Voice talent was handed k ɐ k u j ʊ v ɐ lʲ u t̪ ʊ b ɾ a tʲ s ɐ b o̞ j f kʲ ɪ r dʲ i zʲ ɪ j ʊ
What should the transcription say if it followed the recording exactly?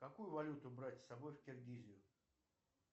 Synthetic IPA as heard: k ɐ k u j ʊ v ɐ lʲ u t̪ ʊ b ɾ a tʲ s ɐ b o̞ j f kʲ ɪ r ɡʲ i zʲ ɪ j ʊ